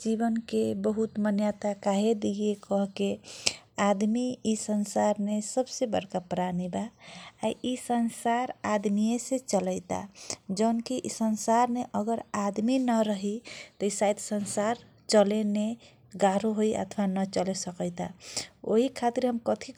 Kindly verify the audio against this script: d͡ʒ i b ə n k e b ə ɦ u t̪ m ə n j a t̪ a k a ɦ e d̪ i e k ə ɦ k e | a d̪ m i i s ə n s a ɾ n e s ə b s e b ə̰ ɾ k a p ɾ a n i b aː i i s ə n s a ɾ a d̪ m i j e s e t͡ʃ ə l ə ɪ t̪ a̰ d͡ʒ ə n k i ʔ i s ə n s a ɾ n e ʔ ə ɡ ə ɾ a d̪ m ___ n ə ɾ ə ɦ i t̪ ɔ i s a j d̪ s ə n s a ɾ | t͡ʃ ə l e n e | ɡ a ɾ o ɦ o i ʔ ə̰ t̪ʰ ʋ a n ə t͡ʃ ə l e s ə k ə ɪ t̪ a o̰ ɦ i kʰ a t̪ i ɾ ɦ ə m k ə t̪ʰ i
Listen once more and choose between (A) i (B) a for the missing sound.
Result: A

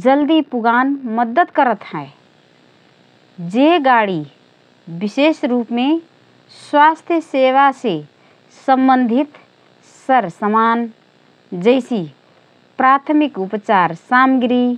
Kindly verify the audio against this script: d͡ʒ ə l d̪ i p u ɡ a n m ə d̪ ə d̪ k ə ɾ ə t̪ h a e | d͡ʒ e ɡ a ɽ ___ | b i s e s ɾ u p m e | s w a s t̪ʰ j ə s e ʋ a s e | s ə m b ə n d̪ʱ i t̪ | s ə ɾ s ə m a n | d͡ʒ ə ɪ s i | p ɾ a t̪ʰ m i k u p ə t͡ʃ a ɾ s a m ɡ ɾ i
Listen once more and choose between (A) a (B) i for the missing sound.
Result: B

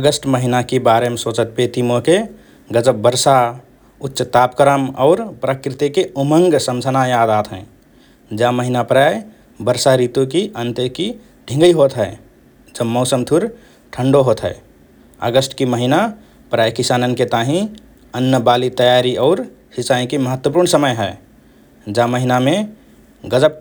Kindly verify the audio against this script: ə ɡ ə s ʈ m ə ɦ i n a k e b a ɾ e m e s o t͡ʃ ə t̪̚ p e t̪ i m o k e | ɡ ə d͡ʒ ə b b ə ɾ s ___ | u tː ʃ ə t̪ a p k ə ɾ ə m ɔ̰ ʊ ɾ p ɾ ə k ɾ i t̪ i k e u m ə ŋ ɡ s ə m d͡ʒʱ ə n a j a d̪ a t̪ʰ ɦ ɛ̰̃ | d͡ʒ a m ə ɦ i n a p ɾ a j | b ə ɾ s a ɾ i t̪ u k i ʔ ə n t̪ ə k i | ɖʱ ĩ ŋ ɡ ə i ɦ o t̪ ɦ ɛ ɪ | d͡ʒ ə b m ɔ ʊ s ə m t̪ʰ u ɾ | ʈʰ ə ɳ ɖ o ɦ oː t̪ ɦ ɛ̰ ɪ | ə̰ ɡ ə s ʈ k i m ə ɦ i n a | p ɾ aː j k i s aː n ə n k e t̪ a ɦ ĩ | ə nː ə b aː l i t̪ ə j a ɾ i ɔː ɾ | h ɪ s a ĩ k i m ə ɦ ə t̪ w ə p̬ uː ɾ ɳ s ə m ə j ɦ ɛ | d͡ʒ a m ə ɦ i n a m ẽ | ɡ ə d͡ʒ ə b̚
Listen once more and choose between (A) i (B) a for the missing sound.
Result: B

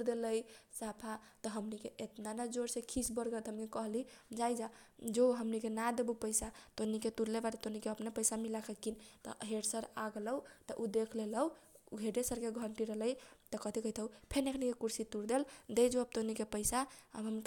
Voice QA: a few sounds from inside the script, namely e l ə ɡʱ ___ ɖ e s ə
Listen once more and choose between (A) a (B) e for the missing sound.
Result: B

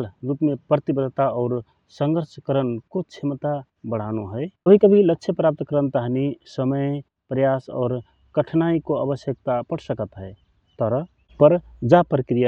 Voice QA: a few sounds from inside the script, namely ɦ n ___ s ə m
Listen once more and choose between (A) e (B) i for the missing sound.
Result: B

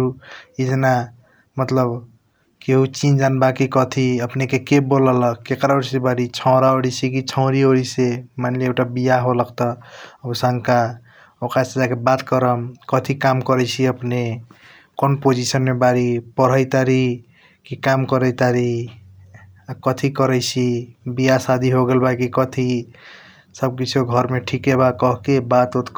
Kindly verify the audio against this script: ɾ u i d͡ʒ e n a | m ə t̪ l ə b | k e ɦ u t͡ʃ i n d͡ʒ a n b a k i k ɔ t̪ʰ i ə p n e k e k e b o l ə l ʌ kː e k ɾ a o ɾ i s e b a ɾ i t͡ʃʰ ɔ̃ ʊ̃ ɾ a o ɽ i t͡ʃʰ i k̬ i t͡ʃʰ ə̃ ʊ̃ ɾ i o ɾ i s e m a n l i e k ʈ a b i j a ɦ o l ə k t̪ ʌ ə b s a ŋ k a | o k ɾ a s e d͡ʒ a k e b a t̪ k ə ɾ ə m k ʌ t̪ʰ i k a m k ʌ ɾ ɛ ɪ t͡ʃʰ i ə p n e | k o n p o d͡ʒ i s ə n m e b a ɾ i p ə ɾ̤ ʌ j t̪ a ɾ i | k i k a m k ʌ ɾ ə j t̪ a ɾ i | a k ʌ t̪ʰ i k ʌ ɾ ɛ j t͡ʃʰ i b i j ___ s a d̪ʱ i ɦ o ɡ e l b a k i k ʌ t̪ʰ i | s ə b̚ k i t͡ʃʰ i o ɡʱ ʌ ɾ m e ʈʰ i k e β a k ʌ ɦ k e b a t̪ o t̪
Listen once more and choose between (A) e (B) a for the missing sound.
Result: B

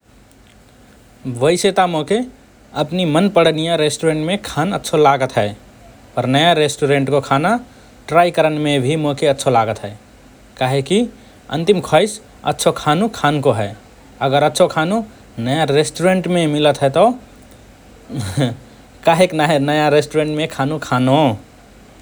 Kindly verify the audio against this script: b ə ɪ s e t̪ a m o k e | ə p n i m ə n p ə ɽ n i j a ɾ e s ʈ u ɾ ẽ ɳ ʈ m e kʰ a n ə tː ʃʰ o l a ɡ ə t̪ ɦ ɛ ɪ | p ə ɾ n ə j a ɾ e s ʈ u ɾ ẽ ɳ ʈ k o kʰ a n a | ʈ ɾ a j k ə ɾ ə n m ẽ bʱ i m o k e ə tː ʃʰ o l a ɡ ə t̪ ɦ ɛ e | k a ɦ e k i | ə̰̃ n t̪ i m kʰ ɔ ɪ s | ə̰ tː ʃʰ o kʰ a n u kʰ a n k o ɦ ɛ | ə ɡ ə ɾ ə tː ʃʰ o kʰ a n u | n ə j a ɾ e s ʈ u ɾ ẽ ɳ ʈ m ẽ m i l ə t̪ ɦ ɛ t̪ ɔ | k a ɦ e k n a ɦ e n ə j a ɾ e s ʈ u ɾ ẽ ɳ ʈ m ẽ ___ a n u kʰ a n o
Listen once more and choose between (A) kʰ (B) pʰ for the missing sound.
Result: A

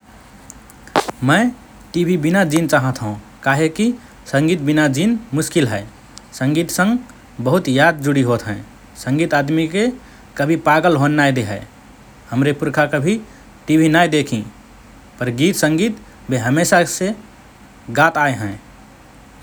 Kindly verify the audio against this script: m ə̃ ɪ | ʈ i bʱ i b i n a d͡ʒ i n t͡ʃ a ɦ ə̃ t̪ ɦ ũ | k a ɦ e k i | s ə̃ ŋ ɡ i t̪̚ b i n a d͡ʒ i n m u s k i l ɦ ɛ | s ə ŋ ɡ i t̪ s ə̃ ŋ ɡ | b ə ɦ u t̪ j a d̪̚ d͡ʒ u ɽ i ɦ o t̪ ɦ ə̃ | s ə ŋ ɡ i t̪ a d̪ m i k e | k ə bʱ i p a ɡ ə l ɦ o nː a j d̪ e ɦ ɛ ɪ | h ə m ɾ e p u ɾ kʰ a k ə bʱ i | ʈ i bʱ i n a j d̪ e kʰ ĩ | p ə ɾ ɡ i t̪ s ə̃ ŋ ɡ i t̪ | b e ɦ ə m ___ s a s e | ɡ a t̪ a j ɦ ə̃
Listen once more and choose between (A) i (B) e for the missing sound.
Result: B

